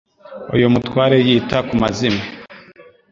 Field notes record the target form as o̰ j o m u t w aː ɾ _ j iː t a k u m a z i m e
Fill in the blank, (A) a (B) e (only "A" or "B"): B